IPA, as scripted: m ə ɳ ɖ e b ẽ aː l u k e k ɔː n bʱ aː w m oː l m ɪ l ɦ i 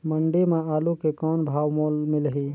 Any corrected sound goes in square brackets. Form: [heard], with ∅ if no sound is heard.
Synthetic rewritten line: m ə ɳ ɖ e [m] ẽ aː l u k e k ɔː n bʱ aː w m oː l m ɪ l ɦ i